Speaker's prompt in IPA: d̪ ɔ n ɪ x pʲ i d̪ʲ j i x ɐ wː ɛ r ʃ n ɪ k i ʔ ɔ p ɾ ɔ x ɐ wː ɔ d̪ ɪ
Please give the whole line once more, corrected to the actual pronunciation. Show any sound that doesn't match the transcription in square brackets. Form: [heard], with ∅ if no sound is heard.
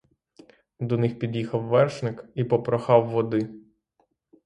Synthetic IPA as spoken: d̪ ɔ n ɪ x pʲ i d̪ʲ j i x ɐ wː ɛ r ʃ n ɪ k i [p] ɔ p ɾ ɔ x [ɑ] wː ɔ d̪ ɪ